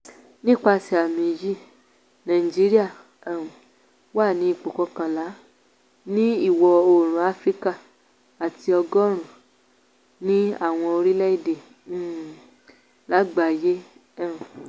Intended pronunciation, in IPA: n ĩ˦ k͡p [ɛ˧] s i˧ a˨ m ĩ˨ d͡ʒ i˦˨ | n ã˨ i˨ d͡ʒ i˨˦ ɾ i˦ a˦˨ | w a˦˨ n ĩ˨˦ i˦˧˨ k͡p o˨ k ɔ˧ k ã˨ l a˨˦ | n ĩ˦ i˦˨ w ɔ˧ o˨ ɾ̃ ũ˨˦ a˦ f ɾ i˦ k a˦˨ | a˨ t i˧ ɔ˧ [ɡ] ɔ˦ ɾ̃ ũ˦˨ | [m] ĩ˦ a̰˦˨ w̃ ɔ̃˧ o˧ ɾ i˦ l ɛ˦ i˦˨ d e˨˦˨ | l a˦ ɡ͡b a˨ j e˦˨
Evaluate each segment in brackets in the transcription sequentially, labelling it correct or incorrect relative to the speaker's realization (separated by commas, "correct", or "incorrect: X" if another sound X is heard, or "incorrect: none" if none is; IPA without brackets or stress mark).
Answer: incorrect: a˧, correct, incorrect: n